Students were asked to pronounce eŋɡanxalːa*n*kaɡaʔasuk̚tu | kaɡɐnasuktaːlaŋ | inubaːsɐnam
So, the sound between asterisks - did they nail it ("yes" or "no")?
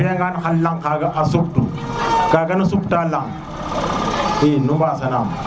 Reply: no